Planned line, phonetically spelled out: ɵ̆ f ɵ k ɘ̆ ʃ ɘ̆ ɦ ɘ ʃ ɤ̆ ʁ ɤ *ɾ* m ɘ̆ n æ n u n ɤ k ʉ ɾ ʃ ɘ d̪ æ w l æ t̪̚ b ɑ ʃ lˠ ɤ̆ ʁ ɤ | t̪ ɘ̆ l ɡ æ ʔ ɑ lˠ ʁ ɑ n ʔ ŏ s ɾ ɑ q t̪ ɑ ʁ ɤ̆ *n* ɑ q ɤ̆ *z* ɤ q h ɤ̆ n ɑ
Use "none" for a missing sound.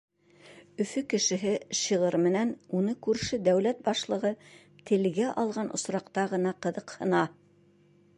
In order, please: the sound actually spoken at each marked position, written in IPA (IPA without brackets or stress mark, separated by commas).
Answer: ɾ, n, ð